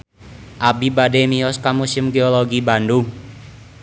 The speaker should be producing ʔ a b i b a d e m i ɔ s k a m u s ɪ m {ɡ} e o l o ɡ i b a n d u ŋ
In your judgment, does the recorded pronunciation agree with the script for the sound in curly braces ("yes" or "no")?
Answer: yes